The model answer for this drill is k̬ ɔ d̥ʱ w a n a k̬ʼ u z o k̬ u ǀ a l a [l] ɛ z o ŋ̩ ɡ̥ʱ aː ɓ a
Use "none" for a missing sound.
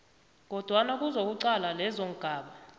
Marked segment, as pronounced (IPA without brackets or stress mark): l